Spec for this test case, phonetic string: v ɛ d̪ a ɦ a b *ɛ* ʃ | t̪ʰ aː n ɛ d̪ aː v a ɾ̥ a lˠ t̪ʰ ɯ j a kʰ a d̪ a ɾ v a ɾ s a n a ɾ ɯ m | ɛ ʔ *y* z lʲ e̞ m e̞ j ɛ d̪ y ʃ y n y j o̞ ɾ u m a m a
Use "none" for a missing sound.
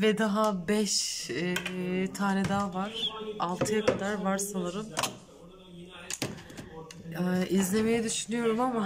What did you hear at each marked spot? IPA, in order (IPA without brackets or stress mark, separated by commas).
ɛ, i